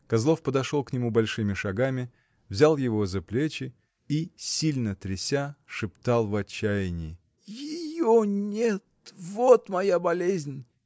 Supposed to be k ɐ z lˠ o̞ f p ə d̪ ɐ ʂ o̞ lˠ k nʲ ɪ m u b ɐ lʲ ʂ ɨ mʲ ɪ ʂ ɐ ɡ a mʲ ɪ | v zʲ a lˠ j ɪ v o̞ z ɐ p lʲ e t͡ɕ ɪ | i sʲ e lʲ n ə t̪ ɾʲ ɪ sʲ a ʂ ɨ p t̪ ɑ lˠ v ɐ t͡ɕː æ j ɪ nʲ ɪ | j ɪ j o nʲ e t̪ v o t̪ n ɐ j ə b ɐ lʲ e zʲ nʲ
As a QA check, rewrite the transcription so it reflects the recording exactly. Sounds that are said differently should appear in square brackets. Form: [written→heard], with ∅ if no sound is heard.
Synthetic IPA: k ɐ z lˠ o̞ f p ə d̪ ɐ ʂ o̞ lˠ k nʲ ɪ m u b ɐ lʲ ʂ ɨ mʲ ɪ ʂ ɐ ɡ a mʲ ɪ | v zʲ a lˠ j ɪ v o̞ z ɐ p lʲ e t͡ɕ ɪ | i sʲ [e→i] lʲ n ə t̪ ɾʲ ɪ sʲ a ʂ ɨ p t̪ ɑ lˠ v ɐ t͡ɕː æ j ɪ nʲ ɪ | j ɪ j o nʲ e t̪ v o t̪ [n→m] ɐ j [ə→a] b ɐ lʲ e zʲ nʲ